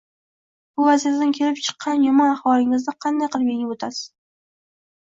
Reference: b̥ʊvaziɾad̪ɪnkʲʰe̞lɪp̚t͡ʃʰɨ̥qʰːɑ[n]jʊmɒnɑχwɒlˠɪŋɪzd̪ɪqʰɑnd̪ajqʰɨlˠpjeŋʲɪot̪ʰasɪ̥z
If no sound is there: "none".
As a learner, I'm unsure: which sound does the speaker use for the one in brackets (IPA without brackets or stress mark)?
n